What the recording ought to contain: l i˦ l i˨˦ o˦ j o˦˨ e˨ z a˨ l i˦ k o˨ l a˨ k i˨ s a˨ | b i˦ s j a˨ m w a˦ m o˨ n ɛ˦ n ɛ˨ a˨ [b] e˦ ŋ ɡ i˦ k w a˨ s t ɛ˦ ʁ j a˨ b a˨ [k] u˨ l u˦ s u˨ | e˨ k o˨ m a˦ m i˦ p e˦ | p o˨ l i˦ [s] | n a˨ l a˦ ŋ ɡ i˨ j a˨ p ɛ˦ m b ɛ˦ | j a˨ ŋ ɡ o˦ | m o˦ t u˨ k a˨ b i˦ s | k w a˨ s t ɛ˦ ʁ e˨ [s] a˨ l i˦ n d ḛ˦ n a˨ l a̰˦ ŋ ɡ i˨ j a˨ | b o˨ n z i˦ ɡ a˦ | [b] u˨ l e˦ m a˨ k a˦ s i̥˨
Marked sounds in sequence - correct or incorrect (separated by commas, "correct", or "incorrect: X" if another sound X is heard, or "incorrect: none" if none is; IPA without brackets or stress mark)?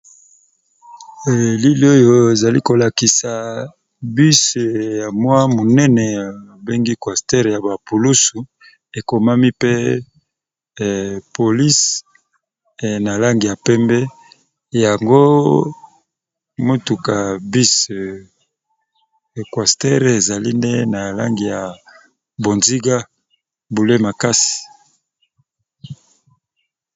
correct, incorrect: p, correct, incorrect: z, correct